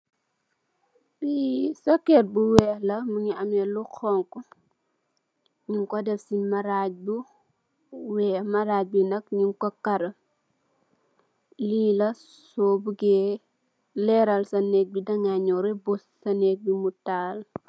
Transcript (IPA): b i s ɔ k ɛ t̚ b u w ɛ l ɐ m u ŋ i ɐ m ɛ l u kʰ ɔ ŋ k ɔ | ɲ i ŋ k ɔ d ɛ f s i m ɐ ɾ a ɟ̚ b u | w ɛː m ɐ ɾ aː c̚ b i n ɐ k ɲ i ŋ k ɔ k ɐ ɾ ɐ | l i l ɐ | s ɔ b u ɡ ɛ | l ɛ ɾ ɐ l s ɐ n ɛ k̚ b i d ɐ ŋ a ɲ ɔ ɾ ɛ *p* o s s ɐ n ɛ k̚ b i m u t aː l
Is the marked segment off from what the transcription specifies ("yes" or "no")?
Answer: yes